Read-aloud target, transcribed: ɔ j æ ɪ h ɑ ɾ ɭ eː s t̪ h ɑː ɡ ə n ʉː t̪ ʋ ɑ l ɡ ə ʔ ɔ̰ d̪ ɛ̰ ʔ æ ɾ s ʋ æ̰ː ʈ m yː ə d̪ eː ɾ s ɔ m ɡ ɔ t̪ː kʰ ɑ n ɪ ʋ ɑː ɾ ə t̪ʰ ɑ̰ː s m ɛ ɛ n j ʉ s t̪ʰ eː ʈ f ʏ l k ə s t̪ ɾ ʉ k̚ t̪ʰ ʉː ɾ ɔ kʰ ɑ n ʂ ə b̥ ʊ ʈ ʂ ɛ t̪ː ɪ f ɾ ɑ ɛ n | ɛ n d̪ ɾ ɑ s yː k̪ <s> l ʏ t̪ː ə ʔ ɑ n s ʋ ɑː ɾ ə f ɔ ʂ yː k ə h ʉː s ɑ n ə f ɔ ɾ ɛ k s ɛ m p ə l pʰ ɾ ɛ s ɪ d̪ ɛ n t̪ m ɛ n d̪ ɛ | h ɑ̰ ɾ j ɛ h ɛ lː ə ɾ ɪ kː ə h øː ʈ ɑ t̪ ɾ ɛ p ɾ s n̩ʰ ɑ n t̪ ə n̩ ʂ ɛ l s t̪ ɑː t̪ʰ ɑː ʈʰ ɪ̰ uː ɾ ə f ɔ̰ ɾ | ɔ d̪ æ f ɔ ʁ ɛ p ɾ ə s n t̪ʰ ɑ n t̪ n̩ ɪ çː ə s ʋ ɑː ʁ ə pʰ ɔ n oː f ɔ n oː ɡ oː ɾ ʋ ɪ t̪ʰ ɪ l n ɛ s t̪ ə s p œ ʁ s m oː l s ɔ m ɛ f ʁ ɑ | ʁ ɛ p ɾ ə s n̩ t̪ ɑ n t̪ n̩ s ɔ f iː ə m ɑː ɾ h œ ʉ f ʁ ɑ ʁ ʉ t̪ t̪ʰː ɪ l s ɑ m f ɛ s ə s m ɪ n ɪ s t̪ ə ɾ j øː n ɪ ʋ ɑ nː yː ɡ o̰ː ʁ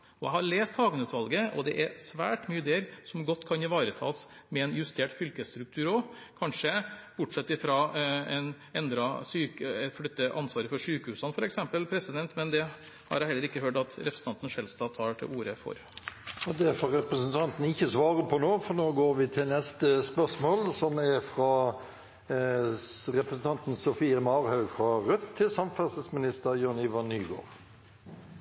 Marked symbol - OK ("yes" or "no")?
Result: no